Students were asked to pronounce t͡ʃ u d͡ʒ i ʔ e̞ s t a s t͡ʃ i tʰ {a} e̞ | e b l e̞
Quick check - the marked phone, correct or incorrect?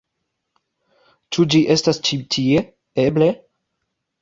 incorrect